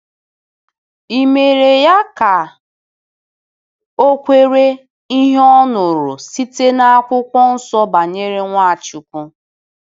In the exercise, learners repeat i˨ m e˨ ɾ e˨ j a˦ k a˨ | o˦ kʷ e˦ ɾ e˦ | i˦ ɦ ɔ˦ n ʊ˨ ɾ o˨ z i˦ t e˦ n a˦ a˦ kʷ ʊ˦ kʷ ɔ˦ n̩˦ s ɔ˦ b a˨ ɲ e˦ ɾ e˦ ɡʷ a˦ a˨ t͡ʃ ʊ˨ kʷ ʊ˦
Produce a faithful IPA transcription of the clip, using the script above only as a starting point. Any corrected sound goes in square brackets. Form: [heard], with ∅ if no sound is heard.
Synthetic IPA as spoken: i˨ m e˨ ɾ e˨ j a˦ k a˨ | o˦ kʷ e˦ ɾ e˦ | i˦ ɦ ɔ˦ n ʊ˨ ɾ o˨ [s] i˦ t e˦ n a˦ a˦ kʷ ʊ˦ kʷ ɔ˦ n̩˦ s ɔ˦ b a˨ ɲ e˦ ɾ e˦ [ŋʷ] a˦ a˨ t͡ʃ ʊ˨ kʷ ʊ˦